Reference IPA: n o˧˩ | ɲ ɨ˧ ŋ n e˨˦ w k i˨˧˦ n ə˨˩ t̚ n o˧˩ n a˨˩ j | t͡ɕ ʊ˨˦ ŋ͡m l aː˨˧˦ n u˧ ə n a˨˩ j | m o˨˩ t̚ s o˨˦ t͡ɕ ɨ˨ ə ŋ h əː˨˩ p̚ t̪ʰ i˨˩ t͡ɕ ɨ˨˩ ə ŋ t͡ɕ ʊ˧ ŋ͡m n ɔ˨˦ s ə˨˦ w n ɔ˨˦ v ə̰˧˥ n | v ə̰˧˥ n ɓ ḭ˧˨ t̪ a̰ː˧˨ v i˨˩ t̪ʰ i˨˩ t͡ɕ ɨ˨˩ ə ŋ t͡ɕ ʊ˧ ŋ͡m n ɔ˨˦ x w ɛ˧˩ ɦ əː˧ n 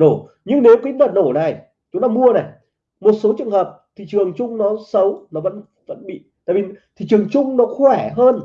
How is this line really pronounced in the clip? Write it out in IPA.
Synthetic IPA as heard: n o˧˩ | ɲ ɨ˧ ŋ n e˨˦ w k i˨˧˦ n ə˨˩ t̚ n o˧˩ n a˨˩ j | t͡ɕ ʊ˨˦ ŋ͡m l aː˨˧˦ m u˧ ə n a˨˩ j | m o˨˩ t̚ s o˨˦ t͡ɕ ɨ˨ ə ŋ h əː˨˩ p̚ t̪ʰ i˨˩ t͡ɕ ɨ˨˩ ə ŋ t͡ɕ ʊ˧ ŋ͡m n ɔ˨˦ s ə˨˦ w n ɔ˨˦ v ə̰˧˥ n | v ə̰˧˥ n ɓ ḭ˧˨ t̪ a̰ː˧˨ v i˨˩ t̪ʰ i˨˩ t͡ɕ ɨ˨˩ ə ŋ t͡ɕ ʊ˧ ŋ͡m n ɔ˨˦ x w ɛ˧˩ ɦ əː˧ n